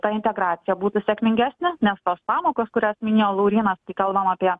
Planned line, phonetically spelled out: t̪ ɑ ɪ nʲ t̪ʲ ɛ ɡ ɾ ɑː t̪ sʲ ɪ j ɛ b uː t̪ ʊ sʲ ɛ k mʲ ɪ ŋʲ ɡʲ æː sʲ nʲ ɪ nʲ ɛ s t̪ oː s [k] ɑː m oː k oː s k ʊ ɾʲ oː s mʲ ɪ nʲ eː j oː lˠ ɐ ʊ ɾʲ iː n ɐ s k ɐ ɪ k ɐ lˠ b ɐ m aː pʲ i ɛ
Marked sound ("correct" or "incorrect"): incorrect